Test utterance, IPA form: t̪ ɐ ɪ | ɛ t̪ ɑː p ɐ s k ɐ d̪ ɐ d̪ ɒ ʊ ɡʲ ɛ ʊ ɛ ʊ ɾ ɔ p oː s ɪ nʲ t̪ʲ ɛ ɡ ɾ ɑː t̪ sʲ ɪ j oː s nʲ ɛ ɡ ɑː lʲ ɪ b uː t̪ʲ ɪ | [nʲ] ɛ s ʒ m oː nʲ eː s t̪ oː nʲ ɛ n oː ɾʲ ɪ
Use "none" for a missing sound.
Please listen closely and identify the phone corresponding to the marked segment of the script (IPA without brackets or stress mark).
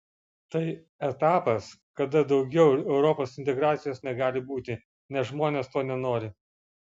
nʲ